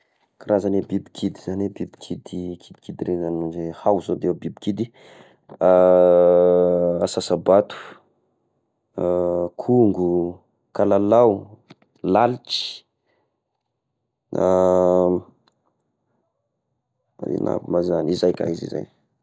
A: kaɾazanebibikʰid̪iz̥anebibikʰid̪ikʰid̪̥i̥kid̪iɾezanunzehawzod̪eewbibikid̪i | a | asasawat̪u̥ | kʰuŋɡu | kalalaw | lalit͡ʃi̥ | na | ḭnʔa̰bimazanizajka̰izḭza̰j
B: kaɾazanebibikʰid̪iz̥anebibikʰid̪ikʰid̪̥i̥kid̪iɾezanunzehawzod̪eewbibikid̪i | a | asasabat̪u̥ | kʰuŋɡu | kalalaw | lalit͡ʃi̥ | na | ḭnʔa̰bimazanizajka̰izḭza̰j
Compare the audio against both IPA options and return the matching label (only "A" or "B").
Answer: B